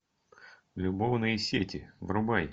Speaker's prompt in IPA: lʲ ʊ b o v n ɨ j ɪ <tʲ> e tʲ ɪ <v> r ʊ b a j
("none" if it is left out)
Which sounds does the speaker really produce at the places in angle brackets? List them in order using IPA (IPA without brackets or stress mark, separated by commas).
sʲ, v